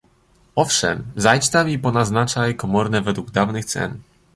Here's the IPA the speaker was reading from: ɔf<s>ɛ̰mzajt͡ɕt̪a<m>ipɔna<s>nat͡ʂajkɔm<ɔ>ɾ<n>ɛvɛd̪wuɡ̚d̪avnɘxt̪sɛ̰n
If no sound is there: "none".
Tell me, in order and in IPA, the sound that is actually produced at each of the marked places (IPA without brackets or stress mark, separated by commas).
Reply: ʂ, m, z, ɔ, n